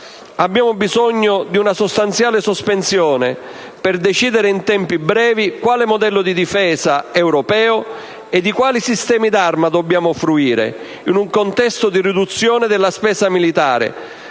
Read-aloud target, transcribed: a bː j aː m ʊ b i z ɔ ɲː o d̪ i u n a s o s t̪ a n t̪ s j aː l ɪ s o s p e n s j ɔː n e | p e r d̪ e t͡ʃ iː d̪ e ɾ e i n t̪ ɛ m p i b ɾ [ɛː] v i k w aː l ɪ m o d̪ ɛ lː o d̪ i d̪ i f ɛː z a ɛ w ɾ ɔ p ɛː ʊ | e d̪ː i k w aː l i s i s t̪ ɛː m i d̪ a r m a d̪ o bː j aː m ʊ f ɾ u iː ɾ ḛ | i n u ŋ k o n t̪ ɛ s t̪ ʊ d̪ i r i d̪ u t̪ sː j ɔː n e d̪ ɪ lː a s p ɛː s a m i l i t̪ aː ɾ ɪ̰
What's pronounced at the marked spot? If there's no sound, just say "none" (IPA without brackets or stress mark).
ɛː